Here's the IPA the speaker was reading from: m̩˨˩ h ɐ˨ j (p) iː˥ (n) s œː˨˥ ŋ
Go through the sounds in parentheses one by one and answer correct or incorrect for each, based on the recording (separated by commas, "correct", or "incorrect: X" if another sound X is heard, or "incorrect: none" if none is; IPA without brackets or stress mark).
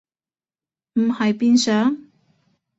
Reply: correct, correct